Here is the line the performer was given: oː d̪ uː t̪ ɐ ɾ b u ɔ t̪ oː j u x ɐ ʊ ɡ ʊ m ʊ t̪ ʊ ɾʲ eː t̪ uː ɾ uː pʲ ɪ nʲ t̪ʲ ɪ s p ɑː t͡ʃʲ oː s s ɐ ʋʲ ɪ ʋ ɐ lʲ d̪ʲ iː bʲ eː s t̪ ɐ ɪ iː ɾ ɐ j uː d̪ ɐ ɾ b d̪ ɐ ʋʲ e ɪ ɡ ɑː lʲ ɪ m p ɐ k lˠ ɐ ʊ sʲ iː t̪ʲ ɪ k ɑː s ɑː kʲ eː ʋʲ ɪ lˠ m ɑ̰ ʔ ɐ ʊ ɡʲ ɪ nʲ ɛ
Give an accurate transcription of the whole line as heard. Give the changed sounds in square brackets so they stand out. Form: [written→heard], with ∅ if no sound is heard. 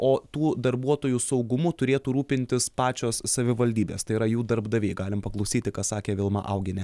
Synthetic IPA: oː [d̪→t̪] uː [t̪→d̪] ɐ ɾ b u ɔ t̪ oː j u [x→s] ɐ ʊ ɡ ʊ m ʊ t̪ ʊ ɾʲ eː t̪ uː ɾ uː pʲ ɪ nʲ t̪ʲ ɪ s p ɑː t͡ʃʲ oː s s ɐ ʋʲ ɪ ʋ ɐ lʲ d̪ʲ iː bʲ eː s t̪ ɐ ɪ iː ɾ ɐ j uː d̪ ɐ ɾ b d̪ ɐ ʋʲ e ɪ ɡ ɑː lʲ ɪ m p ɐ k lˠ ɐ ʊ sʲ iː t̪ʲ ɪ k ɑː s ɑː kʲ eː ʋʲ ɪ lˠ m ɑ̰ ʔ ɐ ʊ ɡʲ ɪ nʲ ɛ